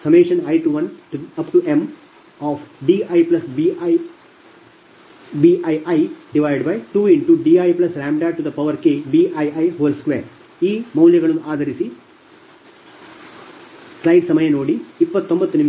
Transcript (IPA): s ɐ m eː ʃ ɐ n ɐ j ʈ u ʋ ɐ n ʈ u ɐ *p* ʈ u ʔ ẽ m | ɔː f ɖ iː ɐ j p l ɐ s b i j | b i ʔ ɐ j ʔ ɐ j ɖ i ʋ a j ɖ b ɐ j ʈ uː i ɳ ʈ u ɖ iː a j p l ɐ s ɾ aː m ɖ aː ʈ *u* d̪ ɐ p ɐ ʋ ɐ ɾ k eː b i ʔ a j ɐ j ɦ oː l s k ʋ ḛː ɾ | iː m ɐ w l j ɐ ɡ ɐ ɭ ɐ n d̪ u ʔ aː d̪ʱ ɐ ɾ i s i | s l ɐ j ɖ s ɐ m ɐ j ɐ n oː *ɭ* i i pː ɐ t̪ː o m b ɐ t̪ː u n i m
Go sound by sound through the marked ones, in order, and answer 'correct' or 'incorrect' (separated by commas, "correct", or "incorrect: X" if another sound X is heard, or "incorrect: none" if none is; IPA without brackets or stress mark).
correct, correct, incorrect: ɽ